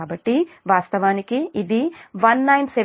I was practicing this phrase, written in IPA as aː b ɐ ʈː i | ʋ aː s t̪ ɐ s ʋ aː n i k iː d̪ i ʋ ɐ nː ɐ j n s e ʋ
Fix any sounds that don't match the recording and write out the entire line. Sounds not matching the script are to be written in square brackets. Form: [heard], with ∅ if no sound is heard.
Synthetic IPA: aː b ɐ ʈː i | ʋ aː s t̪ ɐ [∅] ʋ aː n i k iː d̪ i ʋ ɐ nː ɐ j n s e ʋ